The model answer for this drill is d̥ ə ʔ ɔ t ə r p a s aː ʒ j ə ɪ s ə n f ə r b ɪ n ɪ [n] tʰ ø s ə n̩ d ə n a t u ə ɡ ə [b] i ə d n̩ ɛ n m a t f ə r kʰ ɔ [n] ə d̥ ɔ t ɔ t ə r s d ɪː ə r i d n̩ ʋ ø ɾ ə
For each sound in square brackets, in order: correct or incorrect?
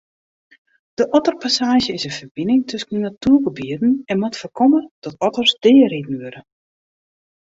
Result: incorrect: ŋ, correct, incorrect: m

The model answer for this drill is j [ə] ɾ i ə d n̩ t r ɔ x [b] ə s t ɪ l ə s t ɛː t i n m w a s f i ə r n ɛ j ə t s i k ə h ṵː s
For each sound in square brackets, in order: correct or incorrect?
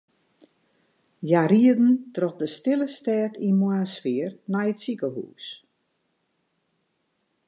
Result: incorrect: a, incorrect: d

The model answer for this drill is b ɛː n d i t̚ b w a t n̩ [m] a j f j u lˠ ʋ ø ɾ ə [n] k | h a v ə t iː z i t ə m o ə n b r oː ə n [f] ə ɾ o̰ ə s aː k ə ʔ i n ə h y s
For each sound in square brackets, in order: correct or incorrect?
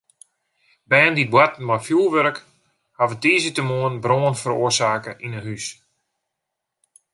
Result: correct, incorrect: none, correct

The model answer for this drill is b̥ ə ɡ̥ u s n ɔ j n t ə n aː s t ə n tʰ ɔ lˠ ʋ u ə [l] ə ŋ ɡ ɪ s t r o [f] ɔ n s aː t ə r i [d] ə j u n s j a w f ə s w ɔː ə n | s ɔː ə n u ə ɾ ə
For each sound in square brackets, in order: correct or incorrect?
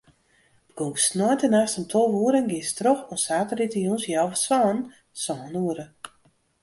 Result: incorrect: ɾ, incorrect: x, incorrect: t

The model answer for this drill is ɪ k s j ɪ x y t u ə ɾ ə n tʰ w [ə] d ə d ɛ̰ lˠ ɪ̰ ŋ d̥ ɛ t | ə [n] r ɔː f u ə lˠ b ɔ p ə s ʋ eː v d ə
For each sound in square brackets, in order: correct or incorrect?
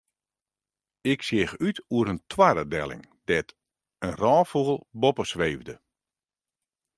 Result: incorrect: a, correct

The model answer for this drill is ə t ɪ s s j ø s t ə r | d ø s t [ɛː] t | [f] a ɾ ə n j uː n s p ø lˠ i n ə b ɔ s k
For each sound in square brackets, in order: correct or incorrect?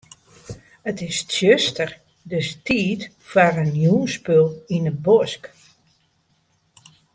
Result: incorrect: iː, correct

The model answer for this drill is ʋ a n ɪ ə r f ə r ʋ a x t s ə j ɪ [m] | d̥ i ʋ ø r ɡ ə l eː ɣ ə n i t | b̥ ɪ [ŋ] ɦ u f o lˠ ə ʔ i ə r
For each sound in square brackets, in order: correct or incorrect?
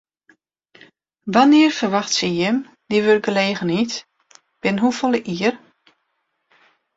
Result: correct, incorrect: n

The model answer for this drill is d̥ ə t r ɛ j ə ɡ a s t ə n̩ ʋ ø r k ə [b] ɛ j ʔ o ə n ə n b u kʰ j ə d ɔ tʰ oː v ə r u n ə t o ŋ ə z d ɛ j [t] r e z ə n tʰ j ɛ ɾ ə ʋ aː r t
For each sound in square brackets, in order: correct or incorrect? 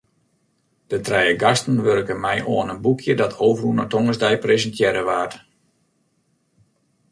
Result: incorrect: m, incorrect: p

